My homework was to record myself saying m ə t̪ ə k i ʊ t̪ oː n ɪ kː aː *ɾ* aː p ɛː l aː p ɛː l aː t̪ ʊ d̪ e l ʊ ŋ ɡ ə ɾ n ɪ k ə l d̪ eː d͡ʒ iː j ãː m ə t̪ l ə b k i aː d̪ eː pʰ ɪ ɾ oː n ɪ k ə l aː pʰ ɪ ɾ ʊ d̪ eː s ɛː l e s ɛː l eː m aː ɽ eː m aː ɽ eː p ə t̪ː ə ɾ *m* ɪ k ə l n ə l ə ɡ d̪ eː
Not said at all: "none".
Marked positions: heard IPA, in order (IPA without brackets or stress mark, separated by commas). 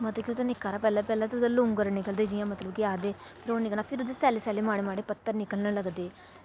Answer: ɾ, n